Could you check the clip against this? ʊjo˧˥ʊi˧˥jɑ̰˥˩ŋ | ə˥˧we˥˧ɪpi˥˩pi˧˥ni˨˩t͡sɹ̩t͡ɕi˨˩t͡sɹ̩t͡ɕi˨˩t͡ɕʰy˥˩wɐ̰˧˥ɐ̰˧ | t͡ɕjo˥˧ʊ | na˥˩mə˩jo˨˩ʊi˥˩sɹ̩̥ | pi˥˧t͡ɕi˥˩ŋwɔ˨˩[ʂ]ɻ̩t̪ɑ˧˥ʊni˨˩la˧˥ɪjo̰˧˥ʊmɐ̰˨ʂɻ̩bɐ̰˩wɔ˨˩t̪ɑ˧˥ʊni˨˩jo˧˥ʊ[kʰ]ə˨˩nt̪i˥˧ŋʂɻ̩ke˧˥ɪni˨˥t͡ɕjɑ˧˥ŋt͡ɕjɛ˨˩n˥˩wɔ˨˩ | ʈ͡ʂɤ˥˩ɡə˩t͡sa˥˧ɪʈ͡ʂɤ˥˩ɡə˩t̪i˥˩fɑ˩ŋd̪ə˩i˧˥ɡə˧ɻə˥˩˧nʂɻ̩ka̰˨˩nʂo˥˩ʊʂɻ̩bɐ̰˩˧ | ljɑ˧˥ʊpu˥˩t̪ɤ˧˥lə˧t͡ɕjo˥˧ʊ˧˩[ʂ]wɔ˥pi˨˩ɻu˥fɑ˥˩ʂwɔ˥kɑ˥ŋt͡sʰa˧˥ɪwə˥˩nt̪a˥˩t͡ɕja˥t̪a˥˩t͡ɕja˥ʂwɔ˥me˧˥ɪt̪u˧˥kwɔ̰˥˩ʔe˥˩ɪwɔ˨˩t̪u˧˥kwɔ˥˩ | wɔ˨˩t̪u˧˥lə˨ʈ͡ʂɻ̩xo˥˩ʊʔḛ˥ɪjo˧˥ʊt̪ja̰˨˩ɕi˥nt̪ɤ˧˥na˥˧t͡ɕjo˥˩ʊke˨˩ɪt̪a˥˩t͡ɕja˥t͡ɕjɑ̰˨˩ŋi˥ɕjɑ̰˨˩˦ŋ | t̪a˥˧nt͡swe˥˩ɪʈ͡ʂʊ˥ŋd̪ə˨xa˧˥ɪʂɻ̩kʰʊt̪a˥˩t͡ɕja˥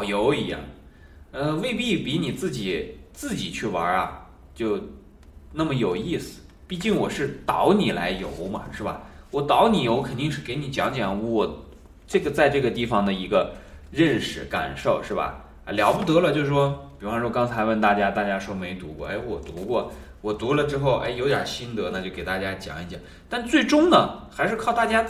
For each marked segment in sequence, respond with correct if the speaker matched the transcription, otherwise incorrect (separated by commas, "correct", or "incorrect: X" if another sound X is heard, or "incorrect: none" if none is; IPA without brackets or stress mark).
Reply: correct, correct, correct